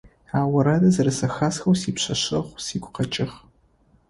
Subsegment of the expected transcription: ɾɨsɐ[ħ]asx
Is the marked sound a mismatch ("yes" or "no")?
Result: yes